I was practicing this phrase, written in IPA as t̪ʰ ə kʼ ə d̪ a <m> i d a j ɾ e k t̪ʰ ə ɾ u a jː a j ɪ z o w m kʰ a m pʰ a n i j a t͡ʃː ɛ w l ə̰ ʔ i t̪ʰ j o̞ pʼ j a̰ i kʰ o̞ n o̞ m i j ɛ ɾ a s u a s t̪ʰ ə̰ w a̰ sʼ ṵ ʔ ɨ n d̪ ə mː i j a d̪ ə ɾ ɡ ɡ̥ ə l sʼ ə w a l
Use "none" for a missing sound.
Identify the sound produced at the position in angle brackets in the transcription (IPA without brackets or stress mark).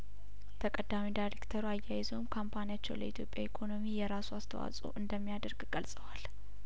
m